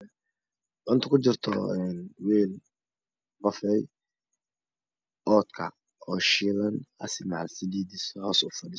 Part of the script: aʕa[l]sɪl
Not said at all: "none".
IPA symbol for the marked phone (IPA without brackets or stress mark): l